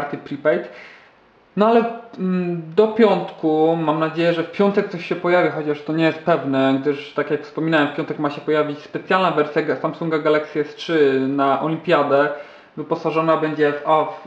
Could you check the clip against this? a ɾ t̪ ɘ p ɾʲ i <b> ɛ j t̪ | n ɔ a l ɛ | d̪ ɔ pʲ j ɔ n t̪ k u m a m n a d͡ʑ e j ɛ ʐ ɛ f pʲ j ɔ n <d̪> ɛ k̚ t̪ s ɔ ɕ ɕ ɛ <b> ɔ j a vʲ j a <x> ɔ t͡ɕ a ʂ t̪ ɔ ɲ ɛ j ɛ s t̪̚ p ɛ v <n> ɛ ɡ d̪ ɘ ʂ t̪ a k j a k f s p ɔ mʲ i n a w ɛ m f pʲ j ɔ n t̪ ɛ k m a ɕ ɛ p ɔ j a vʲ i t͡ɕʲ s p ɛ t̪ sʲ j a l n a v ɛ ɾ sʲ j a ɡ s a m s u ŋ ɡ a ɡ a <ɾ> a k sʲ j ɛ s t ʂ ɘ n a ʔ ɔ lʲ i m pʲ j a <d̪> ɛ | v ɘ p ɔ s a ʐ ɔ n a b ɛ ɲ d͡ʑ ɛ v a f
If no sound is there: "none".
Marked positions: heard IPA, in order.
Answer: p, t̪, p, x, n, l, d̪

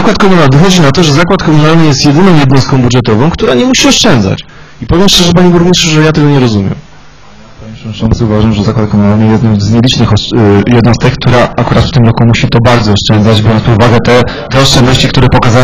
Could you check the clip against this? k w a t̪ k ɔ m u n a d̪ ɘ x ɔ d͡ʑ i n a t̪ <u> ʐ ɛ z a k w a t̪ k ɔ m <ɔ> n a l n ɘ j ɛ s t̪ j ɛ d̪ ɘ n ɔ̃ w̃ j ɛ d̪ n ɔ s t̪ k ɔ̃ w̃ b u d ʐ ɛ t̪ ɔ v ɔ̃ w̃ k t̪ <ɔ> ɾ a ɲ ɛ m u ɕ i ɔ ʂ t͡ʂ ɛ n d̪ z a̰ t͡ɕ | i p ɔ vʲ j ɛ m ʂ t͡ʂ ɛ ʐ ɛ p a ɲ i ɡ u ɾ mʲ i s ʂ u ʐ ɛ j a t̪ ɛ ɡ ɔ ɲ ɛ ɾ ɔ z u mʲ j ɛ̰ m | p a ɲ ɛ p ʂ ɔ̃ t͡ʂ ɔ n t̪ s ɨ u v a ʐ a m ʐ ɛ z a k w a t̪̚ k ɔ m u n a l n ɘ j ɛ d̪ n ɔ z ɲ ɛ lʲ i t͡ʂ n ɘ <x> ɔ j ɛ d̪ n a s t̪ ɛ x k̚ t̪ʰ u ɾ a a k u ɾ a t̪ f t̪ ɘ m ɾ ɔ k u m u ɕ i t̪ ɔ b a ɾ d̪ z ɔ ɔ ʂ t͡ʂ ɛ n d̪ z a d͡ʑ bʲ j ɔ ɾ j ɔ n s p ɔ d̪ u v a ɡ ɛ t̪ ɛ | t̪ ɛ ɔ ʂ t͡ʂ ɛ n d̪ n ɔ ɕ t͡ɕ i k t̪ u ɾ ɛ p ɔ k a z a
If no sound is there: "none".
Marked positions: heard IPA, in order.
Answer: ɔ, u, u, x

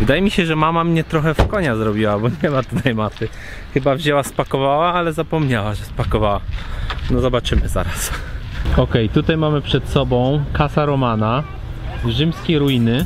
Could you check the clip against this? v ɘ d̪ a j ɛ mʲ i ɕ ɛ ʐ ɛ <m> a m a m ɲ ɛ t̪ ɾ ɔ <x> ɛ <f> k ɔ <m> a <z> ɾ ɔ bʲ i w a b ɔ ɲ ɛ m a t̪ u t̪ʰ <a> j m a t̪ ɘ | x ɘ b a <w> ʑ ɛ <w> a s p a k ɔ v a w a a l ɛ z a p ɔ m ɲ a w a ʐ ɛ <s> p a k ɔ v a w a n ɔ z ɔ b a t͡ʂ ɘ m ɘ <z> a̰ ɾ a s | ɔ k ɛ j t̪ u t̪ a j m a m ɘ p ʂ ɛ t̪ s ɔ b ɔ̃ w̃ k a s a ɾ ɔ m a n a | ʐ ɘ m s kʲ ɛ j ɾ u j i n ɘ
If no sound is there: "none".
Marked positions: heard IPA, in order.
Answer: m, x, f, ɲ, z, a, v, w, s, z

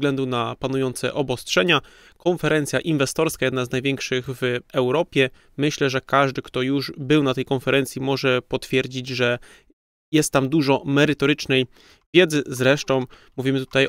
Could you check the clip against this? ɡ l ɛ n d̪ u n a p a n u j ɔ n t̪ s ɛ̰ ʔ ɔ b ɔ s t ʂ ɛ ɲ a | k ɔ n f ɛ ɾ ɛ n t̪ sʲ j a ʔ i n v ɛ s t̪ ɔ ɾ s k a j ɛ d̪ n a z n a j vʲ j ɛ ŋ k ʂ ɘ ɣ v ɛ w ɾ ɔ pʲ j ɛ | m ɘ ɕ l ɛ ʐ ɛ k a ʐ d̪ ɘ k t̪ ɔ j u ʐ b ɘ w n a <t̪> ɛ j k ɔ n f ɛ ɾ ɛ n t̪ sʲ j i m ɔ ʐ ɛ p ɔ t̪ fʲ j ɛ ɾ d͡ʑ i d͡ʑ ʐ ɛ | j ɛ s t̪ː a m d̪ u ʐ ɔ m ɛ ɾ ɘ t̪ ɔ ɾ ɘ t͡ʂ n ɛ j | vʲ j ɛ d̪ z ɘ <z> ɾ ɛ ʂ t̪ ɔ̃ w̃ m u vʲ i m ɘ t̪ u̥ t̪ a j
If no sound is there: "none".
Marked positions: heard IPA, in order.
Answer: t̪, z

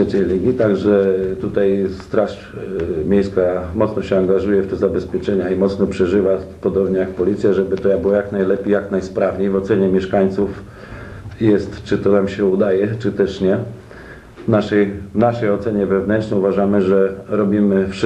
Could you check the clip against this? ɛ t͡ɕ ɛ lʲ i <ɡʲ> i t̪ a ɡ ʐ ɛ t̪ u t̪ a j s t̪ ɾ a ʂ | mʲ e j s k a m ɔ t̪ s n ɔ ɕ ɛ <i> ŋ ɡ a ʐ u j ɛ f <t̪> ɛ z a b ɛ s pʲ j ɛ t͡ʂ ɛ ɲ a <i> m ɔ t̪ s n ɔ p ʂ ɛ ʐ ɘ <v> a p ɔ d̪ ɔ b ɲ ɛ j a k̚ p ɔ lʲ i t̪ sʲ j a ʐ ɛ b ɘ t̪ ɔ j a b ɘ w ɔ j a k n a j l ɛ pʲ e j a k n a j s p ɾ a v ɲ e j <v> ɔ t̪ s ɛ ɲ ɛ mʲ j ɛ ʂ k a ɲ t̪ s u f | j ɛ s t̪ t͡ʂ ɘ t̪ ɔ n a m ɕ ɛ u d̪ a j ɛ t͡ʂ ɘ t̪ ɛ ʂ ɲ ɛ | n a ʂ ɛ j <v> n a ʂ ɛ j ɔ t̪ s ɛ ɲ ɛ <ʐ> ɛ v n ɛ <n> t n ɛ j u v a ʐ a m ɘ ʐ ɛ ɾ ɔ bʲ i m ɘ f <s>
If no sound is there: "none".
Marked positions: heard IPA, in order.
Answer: ɡʲ, a, t̪, i, v, v, v, v, n, ʂ

